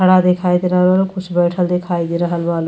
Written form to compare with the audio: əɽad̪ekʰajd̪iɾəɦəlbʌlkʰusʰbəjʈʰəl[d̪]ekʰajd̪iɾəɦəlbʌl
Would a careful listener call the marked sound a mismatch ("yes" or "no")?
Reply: no